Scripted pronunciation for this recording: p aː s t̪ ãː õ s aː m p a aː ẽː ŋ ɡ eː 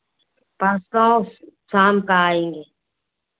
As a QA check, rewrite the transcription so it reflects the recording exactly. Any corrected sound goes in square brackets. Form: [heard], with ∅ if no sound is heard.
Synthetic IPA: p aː s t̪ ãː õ s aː m [k] a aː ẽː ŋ ɡ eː